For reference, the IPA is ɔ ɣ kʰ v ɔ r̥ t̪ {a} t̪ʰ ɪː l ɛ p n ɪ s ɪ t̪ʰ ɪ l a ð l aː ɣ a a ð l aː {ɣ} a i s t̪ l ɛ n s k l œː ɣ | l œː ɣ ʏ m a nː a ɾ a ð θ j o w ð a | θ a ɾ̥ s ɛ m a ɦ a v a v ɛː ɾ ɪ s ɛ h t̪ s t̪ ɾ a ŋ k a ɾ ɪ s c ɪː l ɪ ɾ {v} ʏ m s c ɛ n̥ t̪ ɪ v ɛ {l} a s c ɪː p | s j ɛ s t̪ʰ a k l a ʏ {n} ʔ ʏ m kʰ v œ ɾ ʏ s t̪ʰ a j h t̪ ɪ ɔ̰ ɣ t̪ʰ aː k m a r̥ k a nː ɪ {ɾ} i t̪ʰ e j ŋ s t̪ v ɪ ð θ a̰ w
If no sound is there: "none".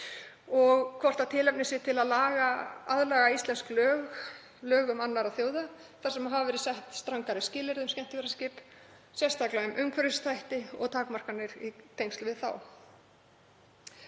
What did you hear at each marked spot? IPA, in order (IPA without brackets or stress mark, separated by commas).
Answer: a, ɣ, ð, ɾ, m, ɾ